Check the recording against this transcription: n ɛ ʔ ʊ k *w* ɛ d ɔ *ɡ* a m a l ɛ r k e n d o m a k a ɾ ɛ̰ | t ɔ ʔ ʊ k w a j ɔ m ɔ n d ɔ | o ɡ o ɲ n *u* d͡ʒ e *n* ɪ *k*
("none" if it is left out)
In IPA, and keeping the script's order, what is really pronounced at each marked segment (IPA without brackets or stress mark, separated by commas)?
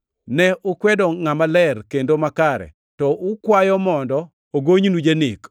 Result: w, ŋ, u, n, k